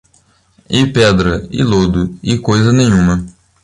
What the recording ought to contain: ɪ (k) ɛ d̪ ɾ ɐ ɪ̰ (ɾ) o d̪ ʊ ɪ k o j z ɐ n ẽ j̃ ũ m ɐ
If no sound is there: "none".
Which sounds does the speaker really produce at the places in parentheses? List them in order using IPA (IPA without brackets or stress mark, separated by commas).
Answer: p, l